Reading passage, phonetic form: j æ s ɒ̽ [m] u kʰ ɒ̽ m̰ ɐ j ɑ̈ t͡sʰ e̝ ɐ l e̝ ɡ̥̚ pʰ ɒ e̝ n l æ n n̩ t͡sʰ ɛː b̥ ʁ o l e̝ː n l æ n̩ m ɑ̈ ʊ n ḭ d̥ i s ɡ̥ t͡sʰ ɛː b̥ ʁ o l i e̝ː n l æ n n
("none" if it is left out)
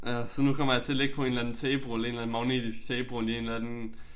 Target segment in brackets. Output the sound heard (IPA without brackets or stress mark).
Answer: n